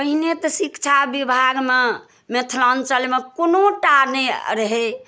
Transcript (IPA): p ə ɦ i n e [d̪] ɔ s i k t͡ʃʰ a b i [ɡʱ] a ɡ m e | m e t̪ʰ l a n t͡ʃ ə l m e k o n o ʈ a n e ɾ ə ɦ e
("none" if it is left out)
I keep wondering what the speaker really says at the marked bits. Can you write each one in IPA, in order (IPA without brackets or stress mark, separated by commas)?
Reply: t̪, bʱ